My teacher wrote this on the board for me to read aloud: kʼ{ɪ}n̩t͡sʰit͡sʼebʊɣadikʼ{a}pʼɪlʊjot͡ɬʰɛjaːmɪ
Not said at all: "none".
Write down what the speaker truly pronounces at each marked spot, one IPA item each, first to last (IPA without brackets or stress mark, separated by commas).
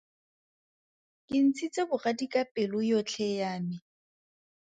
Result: ɪ, a